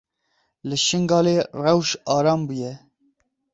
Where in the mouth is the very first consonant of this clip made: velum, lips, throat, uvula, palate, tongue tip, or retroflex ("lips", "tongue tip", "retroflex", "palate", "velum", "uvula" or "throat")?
tongue tip